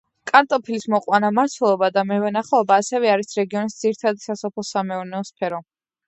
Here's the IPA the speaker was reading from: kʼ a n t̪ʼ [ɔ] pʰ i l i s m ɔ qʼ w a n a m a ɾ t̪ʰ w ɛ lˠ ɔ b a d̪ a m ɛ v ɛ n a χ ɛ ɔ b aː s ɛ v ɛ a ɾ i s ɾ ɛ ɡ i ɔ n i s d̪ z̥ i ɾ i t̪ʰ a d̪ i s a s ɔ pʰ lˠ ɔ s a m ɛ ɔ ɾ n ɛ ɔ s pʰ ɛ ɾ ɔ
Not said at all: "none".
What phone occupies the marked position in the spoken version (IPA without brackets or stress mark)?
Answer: ɔ